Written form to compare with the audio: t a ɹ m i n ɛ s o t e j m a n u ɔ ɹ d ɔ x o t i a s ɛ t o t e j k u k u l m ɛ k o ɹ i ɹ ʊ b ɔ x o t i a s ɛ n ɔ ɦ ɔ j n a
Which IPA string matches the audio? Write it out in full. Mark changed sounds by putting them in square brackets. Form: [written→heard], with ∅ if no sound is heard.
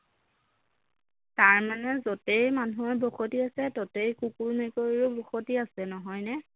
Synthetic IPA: t a ɹ m [i→a] n ɛ [s→z] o t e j m a n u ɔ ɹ [d→b] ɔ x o t i a s ɛ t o t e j k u k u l m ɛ k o ɹ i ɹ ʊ b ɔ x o t i a s ɛ n ɔ ɦ ɔ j n [a→ɛ]